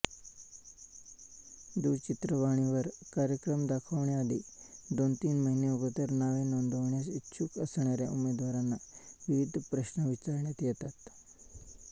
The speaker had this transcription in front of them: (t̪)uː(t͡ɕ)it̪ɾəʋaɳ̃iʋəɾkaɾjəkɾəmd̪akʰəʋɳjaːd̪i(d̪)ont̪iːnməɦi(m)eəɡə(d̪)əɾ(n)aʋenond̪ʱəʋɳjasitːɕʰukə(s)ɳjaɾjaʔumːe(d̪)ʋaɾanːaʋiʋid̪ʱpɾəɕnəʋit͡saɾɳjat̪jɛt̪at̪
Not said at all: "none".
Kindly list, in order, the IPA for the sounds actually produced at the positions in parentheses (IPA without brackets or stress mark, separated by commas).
d̪, t͡ɕ, d̪, n, t̪, n, s, d̪